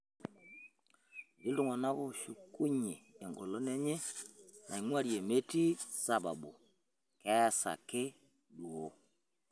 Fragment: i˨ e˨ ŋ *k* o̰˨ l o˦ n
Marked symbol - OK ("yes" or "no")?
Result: no